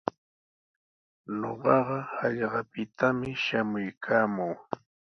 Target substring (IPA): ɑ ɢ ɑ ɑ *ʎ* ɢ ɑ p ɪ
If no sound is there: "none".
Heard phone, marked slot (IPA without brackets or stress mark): ʎ